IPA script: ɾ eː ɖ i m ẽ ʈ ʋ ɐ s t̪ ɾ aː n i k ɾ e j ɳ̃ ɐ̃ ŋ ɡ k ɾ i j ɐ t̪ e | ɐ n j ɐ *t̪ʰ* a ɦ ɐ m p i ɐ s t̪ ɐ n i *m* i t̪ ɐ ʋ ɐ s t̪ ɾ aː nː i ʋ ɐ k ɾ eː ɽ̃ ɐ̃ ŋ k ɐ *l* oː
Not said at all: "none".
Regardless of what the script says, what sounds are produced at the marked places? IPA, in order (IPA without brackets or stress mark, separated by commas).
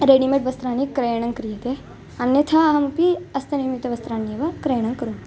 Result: t̪ʰ, m, ɾ